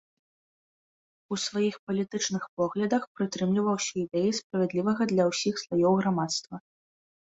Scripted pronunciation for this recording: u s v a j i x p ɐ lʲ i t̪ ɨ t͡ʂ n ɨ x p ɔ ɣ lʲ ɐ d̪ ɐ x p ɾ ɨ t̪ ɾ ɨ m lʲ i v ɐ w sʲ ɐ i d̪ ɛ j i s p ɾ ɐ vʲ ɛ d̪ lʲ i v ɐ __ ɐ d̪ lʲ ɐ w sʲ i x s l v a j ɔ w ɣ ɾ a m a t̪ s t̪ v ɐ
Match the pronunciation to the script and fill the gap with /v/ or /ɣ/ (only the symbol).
ɣ